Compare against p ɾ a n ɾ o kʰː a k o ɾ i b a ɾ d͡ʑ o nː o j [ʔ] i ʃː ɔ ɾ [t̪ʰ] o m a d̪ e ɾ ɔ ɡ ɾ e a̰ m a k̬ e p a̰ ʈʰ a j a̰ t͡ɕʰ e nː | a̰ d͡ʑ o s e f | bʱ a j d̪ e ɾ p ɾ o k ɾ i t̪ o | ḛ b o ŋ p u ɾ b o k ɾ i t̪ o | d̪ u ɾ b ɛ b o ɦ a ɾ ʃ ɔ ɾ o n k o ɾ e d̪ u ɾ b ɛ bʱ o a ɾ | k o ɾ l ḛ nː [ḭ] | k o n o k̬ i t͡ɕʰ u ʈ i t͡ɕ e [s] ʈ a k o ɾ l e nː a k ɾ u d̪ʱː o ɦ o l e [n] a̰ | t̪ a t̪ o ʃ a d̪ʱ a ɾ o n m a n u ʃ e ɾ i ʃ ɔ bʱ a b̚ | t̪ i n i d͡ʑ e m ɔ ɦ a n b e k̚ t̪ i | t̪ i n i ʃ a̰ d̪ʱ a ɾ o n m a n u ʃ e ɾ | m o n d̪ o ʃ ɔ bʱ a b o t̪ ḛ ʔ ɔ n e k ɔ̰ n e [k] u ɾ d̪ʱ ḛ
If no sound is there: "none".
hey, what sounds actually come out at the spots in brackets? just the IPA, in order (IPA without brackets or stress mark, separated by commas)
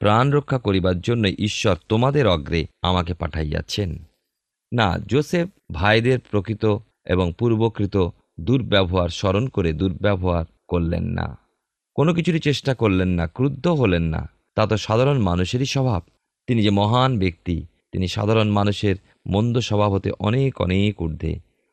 ʔ, t̪, a̰, ʃ, nː, k